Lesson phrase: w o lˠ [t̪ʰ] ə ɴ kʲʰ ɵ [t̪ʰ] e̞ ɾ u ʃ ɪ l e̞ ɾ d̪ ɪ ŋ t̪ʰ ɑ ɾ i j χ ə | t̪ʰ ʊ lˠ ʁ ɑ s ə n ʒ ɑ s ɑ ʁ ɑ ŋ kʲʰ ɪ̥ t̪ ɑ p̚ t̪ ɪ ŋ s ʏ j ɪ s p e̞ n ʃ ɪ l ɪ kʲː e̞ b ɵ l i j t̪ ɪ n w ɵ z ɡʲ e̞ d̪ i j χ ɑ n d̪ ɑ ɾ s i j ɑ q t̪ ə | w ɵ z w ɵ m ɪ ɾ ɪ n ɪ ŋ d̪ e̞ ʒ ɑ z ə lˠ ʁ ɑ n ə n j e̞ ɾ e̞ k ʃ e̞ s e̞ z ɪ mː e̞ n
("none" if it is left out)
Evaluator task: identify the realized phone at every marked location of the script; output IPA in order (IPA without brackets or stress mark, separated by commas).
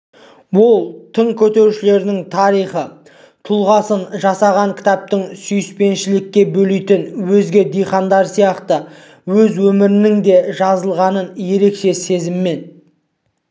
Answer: t̪ʰ, t̪